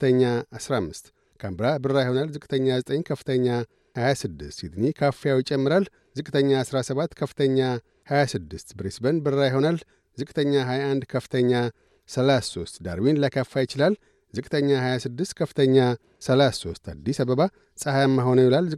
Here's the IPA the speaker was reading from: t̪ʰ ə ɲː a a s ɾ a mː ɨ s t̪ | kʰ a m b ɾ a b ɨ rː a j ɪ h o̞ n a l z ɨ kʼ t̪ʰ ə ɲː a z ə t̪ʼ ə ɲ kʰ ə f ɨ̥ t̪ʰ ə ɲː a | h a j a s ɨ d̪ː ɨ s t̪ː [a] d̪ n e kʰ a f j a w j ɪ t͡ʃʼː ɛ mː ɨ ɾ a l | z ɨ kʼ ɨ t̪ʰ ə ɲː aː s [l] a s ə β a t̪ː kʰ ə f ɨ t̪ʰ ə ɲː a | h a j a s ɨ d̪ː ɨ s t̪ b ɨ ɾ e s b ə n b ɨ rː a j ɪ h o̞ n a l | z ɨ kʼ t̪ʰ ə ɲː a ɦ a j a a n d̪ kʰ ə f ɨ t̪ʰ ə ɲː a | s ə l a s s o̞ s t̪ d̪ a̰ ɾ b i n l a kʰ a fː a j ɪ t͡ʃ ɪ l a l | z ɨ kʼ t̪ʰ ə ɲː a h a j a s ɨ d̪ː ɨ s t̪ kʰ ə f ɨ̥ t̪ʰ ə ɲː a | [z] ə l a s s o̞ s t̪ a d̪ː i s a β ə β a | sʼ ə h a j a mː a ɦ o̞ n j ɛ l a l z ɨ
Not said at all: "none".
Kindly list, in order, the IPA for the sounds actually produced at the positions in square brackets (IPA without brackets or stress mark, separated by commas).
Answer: i, ɾ, s